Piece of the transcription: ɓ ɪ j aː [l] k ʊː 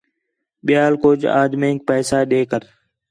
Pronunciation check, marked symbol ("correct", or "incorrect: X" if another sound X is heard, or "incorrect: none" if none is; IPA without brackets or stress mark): correct